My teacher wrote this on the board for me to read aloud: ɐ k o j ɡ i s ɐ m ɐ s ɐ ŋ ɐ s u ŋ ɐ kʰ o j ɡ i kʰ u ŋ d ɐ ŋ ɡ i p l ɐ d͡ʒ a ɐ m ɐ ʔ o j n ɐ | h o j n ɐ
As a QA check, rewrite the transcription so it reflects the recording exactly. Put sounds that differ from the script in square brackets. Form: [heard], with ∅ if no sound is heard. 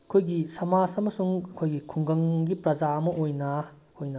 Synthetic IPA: ɐ [kʰ] o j ɡ i s ɐ m [a] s ɐ [m] ɐ s u ŋ ɐ kʰ o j ɡ i kʰ u ŋ [ɡ] ɐ ŋ ɡ i p [ɾ] ɐ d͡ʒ a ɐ m ɐ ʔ o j n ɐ | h o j n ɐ